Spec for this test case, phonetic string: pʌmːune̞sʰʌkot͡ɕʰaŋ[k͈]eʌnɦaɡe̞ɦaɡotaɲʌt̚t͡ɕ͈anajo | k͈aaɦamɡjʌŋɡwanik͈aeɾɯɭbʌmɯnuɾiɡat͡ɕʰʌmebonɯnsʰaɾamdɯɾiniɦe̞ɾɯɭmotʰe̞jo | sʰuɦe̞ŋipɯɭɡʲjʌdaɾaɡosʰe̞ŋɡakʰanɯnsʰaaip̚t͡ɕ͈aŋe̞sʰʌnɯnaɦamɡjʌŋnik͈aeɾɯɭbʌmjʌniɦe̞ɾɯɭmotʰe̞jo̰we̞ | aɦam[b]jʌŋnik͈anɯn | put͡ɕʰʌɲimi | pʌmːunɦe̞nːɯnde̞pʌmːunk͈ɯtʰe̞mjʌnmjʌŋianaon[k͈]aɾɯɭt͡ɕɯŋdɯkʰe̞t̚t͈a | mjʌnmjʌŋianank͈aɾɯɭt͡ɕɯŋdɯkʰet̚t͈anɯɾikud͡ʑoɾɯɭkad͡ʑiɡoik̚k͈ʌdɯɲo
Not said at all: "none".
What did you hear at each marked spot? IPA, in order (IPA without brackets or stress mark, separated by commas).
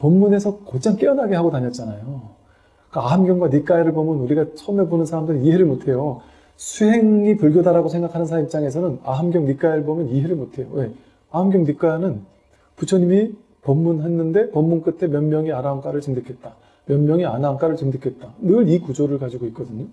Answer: k͈, ɡ, k͈